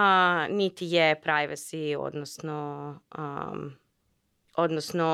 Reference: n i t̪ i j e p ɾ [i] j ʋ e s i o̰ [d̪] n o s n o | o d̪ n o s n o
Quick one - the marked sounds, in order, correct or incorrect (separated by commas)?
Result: incorrect, correct